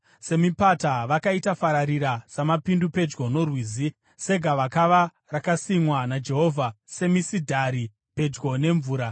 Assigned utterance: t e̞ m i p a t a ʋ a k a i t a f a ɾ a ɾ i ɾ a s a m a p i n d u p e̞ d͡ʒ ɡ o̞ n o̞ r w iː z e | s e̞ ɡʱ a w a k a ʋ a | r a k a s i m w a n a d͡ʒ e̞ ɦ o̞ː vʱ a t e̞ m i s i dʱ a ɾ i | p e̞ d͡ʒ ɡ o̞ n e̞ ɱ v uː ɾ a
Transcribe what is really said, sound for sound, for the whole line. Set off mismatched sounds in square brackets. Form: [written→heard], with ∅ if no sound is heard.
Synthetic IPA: [t→s] e̞ m i p a t a ʋ a k a i t a f a ɾ a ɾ i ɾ a s a m a p i n d u p e̞ d͡ʒ ɡ o̞ n o̞ r w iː z [e→i] | s e̞ ɡʱ a [w→ʋ] a k a ʋ a | r a k a s i m w a n a d͡ʒ e̞ ɦ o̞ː vʱ a [t→s] e̞ m i s i dʱ a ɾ i | p e̞ d͡ʒ ɡ o̞ n e̞ ɱ v uː ɾ a

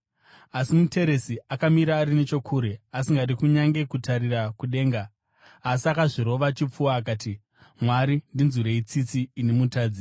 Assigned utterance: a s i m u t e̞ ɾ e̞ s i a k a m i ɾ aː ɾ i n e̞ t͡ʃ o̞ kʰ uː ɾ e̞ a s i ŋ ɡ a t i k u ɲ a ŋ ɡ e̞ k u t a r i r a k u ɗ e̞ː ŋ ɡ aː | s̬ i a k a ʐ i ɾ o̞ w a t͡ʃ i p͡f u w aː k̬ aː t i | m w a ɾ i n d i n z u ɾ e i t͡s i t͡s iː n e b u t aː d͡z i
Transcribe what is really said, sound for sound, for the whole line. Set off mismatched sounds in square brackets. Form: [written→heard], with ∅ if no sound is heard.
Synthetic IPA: a s i m u t e̞ ɾ e̞ s i a k a m i ɾ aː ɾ i n e̞ t͡ʃ o̞ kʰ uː ɾ e̞ a s i ŋ ɡ a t i k u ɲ a ŋ ɡ e̞ k u t a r i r a k u ɗ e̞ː ŋ ɡ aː | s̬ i a k a ʐ i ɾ o̞ [w→ʋ] a t͡ʃ i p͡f u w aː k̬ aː t i | m w a ɾ i n d i n z u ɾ e i t͡s i t͡s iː n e [b→m] u t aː d͡z i

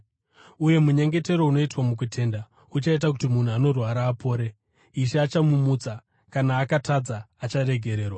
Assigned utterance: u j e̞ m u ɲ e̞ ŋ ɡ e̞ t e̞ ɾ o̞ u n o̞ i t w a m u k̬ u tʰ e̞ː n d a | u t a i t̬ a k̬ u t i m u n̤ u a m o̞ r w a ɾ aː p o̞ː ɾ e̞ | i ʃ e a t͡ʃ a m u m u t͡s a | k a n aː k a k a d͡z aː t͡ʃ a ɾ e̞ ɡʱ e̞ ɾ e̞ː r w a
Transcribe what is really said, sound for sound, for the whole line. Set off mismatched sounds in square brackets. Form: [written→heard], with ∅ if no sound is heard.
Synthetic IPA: u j e̞ m u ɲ e̞ ŋ ɡ e̞ t e̞ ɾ o̞ u n o̞ i t w a m u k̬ u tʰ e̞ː n d a | u [t→t͡ʃ] a i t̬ a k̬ u t i m u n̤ u a [m→n] o̞ r w a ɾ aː p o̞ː ɾ e̞ | i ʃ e a t͡ʃ a m u m u t͡s a | k a n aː k a [k→t] a d͡z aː t͡ʃ a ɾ e̞ ɡʱ e̞ ɾ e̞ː r w a

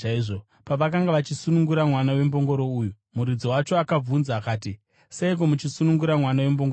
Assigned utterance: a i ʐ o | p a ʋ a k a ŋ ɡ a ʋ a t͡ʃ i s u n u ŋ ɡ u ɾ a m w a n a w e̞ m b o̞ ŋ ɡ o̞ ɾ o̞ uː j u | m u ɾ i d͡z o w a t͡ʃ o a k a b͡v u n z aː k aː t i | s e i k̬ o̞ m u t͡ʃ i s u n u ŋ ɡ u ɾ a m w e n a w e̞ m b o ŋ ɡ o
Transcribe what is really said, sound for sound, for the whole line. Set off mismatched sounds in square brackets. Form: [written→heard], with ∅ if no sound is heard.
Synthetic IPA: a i ʐ o | p a ʋ a k a ŋ ɡ a ʋ a t͡ʃ i s u n u ŋ ɡ u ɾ a m w a n a w e̞ m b o̞ ŋ ɡ o̞ ɾ o̞ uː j u | m u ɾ i d͡z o w a t͡ʃ o a k a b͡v u n z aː k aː t i | s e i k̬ o̞ m u t͡ʃ i s u n u ŋ ɡ u ɾ a m w [e→a] n a w e̞ m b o ŋ ɡ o

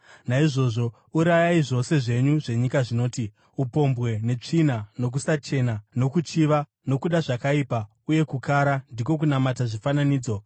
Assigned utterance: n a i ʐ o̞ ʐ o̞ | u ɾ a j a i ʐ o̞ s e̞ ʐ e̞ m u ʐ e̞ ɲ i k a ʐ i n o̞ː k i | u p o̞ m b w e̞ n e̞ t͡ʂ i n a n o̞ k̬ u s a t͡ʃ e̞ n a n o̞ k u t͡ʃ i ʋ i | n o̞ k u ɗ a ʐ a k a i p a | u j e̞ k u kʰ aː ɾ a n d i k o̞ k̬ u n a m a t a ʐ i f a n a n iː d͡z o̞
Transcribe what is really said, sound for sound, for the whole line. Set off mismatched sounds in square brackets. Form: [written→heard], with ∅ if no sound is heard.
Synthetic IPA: n a i ʐ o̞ ʐ o̞ | u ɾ a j a i ʐ o̞ s e̞ ʐ e̞ [m→ɲ] u ʐ e̞ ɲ i k a ʐ i n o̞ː [k→t] i | u p o̞ m b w e̞ n e̞ t͡ʂ i n a n o̞ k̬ u s a t͡ʃ e̞ n a n o̞ k u t͡ʃ i ʋ [i→a] | n o̞ k u ɗ a ʐ a k a i p a | u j e̞ k u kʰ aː ɾ a n d i k o̞ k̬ u n a m a t a ʐ i f a n a n iː d͡z o̞

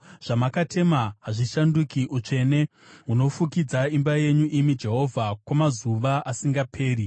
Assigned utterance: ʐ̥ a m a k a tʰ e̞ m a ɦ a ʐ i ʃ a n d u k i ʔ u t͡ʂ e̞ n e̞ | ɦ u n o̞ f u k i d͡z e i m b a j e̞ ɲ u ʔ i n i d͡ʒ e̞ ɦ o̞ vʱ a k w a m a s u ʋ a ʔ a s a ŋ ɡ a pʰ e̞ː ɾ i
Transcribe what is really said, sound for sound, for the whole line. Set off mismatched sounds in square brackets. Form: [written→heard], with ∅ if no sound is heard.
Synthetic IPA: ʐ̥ a m a k a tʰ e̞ m a ɦ a ʐ i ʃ a n d u k i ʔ u t͡ʂ e̞ n e̞ | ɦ u n o̞ f u k i d͡z [e→a] i m b a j e̞ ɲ u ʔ i [n→m] i d͡ʒ e̞ ɦ o̞ vʱ a k w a m a [s→z] u ʋ a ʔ a s [a→i] ŋ ɡ a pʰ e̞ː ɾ i

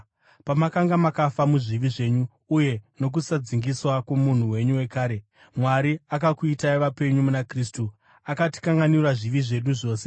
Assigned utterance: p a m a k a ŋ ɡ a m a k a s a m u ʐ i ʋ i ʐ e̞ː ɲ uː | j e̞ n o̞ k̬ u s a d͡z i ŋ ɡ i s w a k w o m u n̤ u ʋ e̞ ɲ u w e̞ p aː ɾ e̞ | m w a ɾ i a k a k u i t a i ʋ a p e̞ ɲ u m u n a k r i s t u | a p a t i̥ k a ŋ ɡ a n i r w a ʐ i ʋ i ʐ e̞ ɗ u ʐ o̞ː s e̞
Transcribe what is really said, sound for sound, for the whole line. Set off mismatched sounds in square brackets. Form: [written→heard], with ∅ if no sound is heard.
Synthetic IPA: p a m a k a ŋ ɡ a m a k a [s→f] a m u ʐ i ʋ i ʐ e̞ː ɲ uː | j e̞ n o̞ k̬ u s a d͡z i ŋ ɡ i s w a k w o m u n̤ u [ʋ→w] e̞ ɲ u w e̞ [p→k] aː ɾ e̞ | m w a ɾ i a k a k u i t a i ʋ a p e̞ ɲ u m u n a k r i s t u | a [p→k] a t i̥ k a ŋ ɡ a n i r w a ʐ i ʋ i ʐ e̞ ɗ u ʐ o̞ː s e̞

